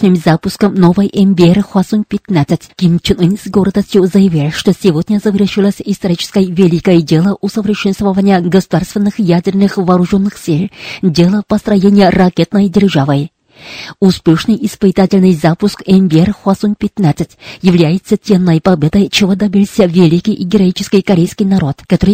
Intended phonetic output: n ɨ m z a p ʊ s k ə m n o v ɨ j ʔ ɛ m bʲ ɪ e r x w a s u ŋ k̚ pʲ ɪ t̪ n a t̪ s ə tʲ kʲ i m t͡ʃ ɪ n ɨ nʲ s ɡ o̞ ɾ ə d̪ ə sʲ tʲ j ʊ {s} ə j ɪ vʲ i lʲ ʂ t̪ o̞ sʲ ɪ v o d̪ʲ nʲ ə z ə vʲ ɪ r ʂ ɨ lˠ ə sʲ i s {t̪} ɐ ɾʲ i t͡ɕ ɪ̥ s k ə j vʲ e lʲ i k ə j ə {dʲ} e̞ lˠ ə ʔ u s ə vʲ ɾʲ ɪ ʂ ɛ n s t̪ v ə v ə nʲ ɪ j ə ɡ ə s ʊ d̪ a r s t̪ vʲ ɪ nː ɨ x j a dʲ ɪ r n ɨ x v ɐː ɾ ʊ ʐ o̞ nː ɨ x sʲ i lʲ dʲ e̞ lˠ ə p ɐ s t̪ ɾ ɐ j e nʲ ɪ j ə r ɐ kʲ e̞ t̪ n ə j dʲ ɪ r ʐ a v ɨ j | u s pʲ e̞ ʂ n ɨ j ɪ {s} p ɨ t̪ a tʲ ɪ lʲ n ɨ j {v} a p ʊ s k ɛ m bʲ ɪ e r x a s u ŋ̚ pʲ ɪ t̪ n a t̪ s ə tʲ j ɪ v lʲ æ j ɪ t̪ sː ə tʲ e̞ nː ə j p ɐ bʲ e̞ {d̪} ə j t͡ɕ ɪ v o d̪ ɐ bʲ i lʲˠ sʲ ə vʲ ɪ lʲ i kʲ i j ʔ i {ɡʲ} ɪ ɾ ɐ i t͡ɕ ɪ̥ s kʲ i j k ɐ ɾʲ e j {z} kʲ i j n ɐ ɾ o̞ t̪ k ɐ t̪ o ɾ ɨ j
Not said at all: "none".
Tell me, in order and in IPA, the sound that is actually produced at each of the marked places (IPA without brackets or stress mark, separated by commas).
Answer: z, t̪, dʲ, s, z, d̪, ɡʲ, s